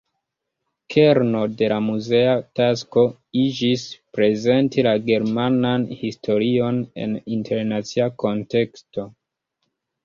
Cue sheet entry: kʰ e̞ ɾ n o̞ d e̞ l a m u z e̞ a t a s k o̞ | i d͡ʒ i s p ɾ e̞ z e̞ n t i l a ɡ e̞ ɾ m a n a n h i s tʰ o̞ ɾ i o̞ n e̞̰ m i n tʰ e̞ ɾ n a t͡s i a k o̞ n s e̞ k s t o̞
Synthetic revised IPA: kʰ e̞ ɾ n o̞ d e̞ l a m u z e̞ a t a s k o̞ | i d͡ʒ i s p ɾ e̞ z e̞ n t i l a ɡ e̞ ɾ m a n a n h i s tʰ o̞ ɾ i o̞ n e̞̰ n i n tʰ e̞ ɾ n a t͡s i a k o̞ n t e̞ k s t o̞